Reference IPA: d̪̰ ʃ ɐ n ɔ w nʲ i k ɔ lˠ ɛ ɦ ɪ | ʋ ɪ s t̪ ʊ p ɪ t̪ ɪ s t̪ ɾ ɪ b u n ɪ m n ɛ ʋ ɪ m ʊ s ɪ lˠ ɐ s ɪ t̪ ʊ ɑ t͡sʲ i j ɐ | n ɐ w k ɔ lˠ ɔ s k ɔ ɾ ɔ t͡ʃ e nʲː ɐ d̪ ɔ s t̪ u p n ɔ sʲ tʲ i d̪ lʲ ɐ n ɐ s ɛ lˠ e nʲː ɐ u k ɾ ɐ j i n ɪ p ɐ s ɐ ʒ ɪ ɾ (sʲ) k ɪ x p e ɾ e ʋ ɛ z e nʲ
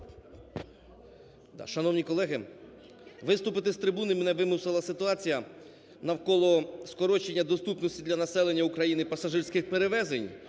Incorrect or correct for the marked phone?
correct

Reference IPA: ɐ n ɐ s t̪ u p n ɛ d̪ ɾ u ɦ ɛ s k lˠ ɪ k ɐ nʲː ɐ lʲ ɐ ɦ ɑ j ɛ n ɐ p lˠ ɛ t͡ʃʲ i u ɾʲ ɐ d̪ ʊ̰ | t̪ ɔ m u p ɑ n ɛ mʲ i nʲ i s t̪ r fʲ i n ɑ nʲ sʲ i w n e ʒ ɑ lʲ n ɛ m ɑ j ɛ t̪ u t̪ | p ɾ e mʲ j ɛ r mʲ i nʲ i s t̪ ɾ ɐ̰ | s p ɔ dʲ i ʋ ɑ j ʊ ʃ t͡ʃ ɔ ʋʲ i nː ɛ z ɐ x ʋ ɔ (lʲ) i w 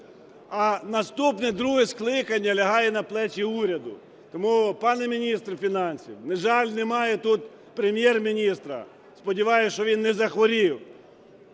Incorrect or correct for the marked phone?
incorrect: ɾʲ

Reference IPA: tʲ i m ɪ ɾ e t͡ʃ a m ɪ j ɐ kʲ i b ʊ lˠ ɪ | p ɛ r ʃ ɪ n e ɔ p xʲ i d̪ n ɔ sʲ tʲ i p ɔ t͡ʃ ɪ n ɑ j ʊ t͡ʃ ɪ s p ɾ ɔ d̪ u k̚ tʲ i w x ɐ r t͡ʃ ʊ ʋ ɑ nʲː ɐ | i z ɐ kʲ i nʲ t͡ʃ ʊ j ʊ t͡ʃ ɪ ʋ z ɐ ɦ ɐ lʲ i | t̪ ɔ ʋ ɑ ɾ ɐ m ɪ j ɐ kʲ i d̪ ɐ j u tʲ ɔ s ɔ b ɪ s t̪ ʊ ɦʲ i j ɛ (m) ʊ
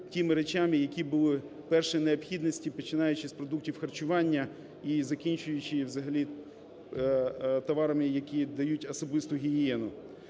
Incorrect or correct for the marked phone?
incorrect: n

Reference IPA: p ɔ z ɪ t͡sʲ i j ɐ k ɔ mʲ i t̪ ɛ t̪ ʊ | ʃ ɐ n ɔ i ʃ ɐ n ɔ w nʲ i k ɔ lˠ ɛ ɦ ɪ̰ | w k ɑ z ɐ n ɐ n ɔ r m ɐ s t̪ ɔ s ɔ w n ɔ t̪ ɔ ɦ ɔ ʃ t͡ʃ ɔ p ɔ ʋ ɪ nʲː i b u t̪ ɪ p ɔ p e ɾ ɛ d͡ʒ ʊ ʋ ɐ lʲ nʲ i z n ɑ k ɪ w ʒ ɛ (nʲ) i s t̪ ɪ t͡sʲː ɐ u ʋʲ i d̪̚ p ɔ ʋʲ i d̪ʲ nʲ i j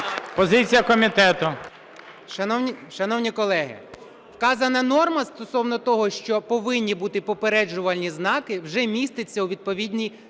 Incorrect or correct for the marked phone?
incorrect: mʲ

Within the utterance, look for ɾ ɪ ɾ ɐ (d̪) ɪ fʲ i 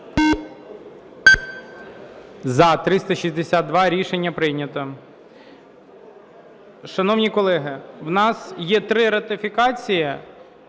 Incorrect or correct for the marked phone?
incorrect: t̪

